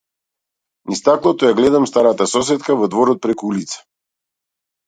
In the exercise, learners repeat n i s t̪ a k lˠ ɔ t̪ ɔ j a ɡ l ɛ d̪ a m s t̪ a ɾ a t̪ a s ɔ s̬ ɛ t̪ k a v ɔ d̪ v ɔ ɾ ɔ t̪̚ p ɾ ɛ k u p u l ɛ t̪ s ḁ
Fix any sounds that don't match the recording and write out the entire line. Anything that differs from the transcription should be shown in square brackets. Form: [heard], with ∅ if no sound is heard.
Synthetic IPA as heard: n i s t̪ a k lˠ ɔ t̪ ɔ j a ɡ l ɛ d̪ a m s t̪ a ɾ a t̪ a s ɔ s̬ ɛ t̪ k a v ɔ d̪ v ɔ ɾ ɔ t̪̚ p ɾ ɛ k u [∅] u l [i] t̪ s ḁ

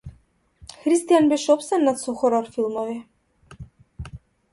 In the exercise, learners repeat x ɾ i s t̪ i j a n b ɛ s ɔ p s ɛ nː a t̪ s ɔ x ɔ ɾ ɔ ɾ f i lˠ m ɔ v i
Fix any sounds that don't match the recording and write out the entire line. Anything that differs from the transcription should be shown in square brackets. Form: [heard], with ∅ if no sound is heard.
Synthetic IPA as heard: x ɾ i s t̪ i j a n b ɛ [ʃ] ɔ p s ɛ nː a t̪ s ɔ x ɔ ɾ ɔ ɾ f i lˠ m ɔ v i

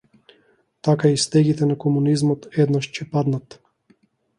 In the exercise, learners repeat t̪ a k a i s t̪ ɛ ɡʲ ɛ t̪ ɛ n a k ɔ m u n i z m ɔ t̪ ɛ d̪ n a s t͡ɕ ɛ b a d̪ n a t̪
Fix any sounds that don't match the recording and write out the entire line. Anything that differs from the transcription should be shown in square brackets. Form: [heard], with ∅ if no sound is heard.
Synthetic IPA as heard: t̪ a k a i s t̪ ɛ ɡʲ [i] t̪ ɛ n a k ɔ m u n i z m ɔ t̪ ɛ d̪ n a [ʃ] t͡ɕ ɛ [p] a d̪ n a t̪

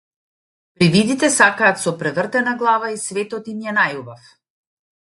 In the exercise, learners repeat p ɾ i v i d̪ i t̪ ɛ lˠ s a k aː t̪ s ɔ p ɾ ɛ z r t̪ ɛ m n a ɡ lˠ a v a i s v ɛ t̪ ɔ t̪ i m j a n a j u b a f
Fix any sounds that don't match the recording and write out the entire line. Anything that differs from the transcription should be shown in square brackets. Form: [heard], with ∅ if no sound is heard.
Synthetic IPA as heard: p ɾ i v i d̪ i t̪ ɛ [∅] s a k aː t̪ s ɔ p ɾ ɛ [v] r t̪ ɛ [∅] n a ɡ lˠ a v a i s v ɛ t̪ ɔ t̪ i m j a n a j u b a f

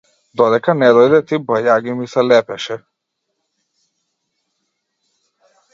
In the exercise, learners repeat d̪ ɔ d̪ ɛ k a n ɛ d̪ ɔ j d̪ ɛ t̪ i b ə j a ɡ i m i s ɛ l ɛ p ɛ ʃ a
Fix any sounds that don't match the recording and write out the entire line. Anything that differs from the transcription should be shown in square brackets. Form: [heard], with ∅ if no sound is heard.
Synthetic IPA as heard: d̪ ɔ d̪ ɛ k a n ɛ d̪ ɔ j d̪ ɛ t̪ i b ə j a ɡ i m i s ɛ l ɛ p ɛ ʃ [ɛ]

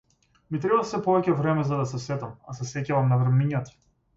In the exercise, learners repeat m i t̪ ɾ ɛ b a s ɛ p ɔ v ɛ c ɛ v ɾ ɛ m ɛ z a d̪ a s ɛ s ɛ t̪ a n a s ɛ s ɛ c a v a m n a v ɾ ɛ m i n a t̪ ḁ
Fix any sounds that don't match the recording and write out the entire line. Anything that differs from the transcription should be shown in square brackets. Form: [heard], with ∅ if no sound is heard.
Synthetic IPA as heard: m i t̪ ɾ ɛ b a s ɛ p ɔ v ɛ c ɛ v ɾ ɛ m ɛ z a d̪ a s ɛ s ɛ t̪ a [m] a s ɛ s ɛ c a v a m n a v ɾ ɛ m i [ɲ] a t̪ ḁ

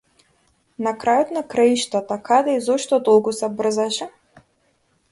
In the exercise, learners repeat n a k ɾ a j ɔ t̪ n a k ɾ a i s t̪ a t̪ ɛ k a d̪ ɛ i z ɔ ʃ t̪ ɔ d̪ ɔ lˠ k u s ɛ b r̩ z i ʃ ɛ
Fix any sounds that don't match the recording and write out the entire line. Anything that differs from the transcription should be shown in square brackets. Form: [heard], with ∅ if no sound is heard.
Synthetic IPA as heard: n a k ɾ a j ɔ t̪ n a k ɾ a i [ʃ] t̪ a t̪ [a] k a d̪ ɛ i z ɔ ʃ t̪ ɔ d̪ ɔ lˠ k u s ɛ b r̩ z [a] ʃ ɛ

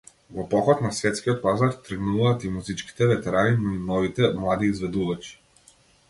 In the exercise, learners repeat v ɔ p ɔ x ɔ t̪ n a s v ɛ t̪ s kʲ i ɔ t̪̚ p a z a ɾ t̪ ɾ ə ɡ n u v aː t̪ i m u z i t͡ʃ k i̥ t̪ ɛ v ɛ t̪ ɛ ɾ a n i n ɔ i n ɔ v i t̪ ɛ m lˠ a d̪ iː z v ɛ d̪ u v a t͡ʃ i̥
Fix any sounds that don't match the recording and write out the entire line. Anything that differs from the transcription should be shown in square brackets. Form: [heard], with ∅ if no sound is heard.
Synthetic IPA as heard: v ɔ p ɔ x ɔ t̪ n a s v ɛ t̪ s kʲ i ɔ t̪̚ p a z a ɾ t̪ ɾ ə ɡ n u v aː t̪ i m u z i t͡ʃ k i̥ t̪ ɛ v ɛ t̪ ɛ ɾ a n i n ɔ i n ɔ v i t̪ ɛ m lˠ a d̪ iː z v ɛ d̪ u v a t͡ʃ i̥

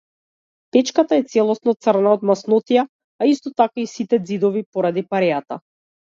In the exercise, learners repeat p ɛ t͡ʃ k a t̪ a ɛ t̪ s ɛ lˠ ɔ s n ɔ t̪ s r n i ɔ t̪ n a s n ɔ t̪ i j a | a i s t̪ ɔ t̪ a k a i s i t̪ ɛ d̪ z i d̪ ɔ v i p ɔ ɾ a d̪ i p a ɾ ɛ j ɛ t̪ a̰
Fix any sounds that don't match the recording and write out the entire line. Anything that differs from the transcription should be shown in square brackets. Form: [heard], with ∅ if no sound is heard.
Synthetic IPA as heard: p ɛ t͡ʃ k a t̪ a ɛ t̪ s ɛ lˠ ɔ s n ɔ t̪ s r n [a] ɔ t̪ [m] a s n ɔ t̪ i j a | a i s t̪ ɔ t̪ a k a i s i t̪ ɛ d̪ z i d̪ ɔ v i p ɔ ɾ a d̪ i p a ɾ ɛ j [a] t̪ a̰

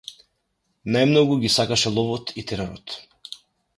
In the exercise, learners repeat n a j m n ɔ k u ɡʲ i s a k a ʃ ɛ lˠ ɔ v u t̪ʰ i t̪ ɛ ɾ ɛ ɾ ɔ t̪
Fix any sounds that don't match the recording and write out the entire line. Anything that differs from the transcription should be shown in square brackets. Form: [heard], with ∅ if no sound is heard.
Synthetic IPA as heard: n a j m n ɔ [ɡ] u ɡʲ i s a k a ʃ ɛ lˠ ɔ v [ɔ] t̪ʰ i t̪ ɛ ɾ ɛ ɾ ɔ t̪

